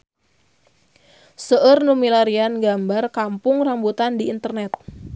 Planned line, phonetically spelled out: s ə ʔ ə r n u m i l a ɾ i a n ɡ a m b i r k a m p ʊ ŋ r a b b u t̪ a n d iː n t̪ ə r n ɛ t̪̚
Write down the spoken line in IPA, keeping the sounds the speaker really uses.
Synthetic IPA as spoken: s ə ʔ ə r n u m i l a ɾ i a n ɡ a m b a r k a m p ʊ ŋ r a m b u t̪ a n d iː n t̪ ə r n ɛ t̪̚